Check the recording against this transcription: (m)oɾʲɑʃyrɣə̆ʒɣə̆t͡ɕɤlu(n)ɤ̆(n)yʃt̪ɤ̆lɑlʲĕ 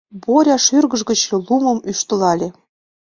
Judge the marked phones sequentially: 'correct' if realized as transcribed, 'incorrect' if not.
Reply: incorrect: b, incorrect: m, incorrect: m

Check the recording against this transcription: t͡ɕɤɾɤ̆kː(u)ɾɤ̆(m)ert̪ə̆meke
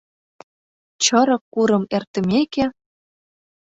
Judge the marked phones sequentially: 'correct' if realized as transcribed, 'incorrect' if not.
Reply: correct, correct

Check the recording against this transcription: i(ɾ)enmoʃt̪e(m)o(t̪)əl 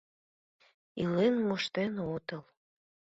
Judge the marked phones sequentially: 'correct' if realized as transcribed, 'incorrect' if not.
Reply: incorrect: l, incorrect: n, correct

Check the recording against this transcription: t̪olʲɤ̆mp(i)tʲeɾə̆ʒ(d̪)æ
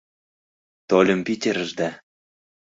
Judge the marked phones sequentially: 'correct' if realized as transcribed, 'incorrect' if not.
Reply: correct, correct

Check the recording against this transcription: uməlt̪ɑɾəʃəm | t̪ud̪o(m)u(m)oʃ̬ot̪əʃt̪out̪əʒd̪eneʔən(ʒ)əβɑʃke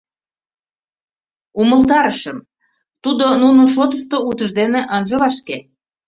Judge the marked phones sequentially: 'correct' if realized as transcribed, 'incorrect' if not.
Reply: incorrect: n, incorrect: n, correct

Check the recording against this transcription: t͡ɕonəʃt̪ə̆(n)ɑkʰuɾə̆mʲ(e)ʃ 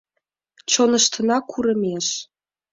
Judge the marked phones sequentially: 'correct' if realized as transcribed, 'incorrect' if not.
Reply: correct, correct

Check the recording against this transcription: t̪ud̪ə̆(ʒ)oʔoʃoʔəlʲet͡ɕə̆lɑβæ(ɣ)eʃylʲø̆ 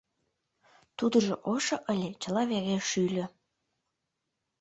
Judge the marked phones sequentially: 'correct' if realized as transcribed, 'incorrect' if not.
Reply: correct, correct

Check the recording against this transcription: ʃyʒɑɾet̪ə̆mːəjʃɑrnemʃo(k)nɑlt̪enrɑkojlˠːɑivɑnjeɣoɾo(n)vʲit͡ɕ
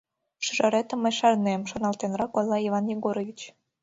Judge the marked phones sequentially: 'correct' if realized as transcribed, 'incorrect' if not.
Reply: incorrect: none, incorrect: none

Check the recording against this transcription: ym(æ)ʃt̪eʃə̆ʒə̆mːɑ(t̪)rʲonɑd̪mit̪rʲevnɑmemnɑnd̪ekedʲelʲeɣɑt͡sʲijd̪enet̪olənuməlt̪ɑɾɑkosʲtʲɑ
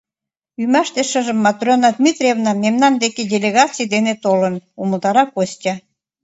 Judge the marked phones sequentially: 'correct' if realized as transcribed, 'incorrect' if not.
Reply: correct, correct

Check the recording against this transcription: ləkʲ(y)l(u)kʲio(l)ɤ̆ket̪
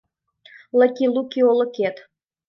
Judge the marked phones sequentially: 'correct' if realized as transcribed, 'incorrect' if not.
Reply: incorrect: i, correct, correct

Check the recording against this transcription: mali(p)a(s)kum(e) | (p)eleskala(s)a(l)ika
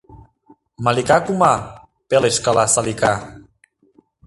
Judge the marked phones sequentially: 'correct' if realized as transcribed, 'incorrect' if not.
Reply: incorrect: k, incorrect: none, incorrect: a, correct, correct, correct

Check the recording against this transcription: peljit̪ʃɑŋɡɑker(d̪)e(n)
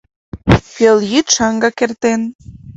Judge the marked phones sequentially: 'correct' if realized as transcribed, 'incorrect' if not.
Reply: incorrect: t̪, correct

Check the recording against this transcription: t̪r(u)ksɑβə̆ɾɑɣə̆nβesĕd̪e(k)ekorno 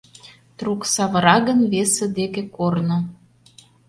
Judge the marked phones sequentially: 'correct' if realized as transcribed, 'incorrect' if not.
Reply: correct, correct

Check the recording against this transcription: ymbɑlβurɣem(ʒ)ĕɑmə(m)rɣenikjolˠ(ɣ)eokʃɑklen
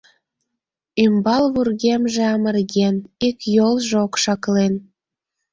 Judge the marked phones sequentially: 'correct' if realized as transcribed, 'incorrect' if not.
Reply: correct, incorrect: none, incorrect: ʒ

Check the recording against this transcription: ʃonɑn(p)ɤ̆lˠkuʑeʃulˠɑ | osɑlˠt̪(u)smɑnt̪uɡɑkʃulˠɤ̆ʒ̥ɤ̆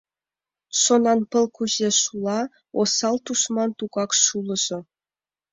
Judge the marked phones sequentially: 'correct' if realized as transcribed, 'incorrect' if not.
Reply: correct, correct

